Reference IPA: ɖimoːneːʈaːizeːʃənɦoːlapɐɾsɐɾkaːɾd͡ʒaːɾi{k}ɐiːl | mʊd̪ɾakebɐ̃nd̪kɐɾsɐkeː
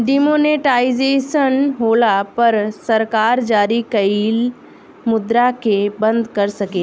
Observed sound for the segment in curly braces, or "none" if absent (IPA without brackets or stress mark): k